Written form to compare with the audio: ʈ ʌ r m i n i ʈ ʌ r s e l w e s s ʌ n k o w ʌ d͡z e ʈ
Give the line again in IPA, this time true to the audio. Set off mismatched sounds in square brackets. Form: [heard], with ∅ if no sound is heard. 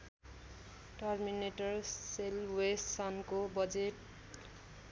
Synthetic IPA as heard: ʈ ʌ r m i n [e] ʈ ʌ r s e l w e s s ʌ n k o [b] ʌ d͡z e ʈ